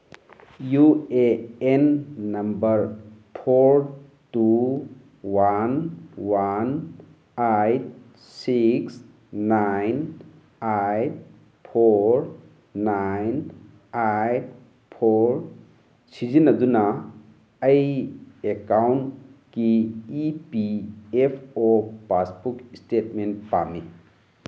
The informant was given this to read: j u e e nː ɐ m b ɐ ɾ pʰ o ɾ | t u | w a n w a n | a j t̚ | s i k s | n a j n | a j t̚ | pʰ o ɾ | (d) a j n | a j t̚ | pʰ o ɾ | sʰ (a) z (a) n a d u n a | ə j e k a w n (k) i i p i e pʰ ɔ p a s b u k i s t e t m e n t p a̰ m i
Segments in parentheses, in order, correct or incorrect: incorrect, incorrect, incorrect, correct

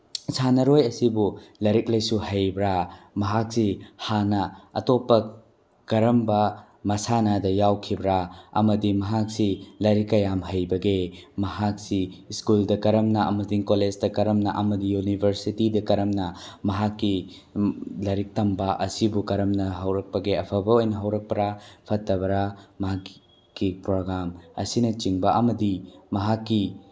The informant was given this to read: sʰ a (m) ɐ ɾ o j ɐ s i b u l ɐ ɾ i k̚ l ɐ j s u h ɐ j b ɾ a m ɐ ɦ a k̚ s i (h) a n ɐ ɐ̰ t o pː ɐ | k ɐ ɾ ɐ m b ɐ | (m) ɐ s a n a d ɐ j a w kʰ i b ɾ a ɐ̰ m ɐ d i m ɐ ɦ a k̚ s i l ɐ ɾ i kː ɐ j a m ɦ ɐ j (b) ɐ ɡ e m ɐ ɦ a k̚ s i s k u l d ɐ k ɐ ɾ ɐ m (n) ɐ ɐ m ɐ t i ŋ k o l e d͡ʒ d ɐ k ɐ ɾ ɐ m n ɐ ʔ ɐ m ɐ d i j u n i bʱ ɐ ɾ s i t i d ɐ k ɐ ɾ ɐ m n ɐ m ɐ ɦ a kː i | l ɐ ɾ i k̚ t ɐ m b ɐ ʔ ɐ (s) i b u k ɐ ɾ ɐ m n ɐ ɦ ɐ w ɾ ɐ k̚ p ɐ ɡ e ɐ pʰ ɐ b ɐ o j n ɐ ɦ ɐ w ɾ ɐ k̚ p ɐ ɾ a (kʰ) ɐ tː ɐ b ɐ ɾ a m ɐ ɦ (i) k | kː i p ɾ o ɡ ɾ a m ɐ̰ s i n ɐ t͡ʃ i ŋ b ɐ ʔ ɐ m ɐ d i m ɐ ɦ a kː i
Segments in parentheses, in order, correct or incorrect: incorrect, correct, correct, correct, correct, correct, incorrect, incorrect

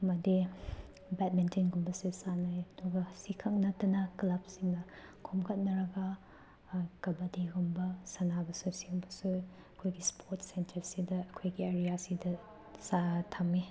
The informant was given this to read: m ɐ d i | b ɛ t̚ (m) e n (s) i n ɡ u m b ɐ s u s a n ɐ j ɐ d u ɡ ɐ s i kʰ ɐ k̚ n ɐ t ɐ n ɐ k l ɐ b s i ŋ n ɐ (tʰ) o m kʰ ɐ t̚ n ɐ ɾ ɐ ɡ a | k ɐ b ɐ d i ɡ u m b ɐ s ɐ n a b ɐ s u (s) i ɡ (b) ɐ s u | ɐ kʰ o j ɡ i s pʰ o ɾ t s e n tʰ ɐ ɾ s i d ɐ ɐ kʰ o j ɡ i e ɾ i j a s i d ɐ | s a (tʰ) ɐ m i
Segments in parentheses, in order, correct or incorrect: correct, incorrect, incorrect, correct, correct, correct

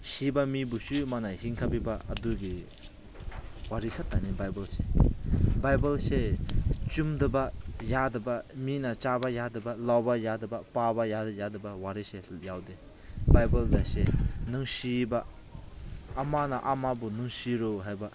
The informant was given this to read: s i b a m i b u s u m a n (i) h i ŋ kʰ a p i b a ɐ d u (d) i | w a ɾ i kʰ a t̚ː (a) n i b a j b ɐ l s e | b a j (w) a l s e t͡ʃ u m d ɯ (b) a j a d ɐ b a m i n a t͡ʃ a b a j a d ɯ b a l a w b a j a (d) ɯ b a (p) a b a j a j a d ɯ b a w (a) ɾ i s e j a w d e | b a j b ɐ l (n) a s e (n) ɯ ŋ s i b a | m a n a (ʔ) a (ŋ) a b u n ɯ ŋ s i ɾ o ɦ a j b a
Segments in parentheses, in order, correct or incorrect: incorrect, incorrect, correct, incorrect, correct, correct, correct, correct, incorrect, correct, correct, incorrect

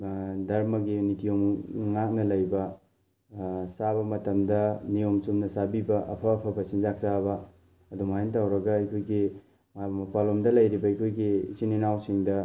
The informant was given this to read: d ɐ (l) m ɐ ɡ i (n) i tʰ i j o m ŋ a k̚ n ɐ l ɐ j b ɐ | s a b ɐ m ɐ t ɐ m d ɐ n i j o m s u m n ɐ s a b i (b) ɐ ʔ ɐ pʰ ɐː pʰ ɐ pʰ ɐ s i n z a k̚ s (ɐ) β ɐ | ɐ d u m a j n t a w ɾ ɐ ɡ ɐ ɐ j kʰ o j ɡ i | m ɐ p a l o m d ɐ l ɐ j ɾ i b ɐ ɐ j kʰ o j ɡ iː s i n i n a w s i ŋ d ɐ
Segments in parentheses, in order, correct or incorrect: incorrect, correct, correct, incorrect

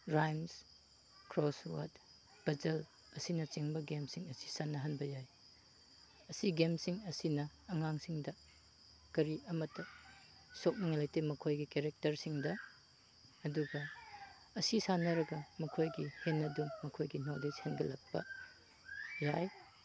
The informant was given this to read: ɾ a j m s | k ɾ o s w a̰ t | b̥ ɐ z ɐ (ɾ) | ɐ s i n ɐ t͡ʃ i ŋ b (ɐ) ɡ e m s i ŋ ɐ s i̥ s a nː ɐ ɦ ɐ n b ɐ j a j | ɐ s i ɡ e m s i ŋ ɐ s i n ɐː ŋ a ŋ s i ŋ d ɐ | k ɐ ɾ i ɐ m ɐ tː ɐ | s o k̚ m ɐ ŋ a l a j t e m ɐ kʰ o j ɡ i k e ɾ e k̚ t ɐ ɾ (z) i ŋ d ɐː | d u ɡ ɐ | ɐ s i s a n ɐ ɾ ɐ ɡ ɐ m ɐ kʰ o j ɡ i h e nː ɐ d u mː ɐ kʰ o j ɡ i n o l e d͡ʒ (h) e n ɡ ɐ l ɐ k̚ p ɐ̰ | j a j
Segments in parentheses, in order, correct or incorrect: incorrect, correct, incorrect, correct

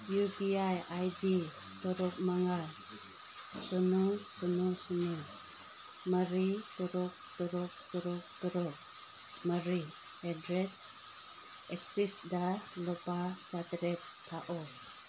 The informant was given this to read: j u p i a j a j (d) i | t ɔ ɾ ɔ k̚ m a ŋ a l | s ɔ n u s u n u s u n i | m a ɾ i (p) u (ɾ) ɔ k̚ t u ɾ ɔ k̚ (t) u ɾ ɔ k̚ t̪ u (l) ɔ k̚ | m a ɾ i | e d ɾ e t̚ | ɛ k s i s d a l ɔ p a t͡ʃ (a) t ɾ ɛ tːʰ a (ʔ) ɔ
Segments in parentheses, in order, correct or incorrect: correct, incorrect, correct, correct, incorrect, correct, correct

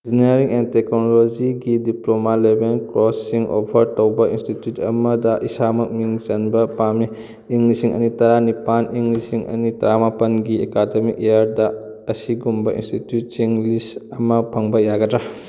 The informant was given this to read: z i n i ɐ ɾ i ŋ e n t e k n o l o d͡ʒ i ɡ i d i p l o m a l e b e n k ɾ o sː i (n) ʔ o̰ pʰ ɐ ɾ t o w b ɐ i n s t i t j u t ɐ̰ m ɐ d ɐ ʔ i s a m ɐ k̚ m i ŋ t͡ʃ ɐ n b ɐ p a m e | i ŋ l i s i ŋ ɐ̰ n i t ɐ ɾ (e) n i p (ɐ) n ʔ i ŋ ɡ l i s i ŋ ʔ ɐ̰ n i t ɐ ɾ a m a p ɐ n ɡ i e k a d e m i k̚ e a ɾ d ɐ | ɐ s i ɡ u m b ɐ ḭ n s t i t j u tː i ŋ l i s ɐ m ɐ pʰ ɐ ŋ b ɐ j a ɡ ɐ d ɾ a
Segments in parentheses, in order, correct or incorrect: incorrect, incorrect, incorrect

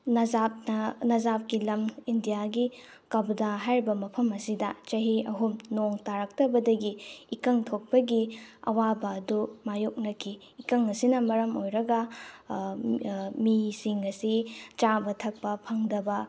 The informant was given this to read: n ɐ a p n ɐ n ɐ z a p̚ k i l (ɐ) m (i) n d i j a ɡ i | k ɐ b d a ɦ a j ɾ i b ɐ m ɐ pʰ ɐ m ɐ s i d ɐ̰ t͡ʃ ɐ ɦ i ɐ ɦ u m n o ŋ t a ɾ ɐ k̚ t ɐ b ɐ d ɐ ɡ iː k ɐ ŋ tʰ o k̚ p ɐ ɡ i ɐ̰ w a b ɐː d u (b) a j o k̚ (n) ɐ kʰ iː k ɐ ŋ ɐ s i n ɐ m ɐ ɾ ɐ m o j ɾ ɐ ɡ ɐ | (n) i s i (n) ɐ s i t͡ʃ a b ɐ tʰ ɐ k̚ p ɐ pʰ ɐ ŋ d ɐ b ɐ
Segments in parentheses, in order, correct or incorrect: correct, correct, incorrect, correct, incorrect, incorrect

